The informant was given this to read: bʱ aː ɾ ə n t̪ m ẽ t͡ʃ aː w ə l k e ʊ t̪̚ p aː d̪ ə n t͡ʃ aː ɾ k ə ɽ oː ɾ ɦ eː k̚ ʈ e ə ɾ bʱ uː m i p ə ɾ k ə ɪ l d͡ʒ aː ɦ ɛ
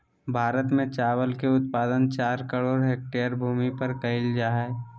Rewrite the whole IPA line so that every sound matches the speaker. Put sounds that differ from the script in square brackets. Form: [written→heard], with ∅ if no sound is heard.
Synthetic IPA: bʱ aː ɾ ə [n→∅] t̪ m ẽ t͡ʃ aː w ə l k e ʊ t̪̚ p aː d̪ ə n t͡ʃ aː ɾ k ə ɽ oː ɾ ɦ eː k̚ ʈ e ə ɾ bʱ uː m i p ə ɾ k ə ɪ l d͡ʒ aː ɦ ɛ